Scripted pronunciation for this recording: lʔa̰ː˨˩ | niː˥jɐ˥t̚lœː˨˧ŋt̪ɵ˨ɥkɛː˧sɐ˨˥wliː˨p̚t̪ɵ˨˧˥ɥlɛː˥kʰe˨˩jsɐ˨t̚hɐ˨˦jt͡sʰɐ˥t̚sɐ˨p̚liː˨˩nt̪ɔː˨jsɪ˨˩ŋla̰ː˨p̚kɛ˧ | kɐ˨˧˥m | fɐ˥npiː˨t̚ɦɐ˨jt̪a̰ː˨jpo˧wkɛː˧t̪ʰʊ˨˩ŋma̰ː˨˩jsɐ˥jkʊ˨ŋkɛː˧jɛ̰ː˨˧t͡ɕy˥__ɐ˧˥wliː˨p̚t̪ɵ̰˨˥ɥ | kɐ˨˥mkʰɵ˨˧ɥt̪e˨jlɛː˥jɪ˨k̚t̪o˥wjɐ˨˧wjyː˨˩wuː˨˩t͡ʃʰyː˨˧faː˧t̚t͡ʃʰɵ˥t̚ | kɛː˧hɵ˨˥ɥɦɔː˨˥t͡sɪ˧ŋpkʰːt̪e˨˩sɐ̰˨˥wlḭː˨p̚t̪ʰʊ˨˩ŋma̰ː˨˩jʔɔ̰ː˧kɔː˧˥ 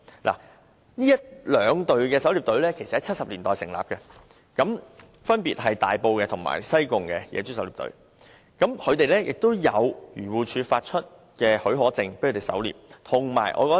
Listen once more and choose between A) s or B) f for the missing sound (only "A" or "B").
A